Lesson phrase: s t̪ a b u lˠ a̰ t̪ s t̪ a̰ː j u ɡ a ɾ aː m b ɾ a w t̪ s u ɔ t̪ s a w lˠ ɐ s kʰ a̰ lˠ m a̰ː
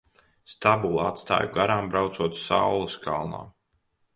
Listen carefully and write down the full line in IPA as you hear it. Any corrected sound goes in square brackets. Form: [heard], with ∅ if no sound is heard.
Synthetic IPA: s t̪ a b u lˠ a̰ t̪ s t̪ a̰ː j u ɡ a ɾ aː m b ɾ a w t̪ s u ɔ t̪ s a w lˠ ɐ s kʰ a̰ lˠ [n] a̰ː